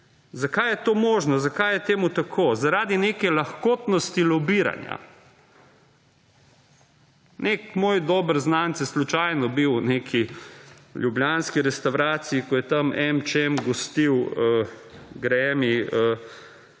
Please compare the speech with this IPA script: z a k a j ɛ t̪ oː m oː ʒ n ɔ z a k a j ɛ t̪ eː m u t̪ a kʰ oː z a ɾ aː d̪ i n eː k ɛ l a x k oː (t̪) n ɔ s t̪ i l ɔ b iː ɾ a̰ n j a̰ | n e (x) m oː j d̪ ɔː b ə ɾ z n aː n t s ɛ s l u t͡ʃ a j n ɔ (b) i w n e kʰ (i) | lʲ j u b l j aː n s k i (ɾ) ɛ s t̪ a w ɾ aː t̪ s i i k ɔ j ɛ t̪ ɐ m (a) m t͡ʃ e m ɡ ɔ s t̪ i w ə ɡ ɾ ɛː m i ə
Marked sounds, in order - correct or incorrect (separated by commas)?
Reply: correct, incorrect, correct, correct, correct, incorrect